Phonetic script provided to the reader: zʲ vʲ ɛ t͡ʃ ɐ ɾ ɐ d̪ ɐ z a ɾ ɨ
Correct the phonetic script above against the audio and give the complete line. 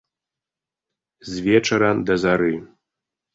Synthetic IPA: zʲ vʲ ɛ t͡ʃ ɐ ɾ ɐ d̪ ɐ z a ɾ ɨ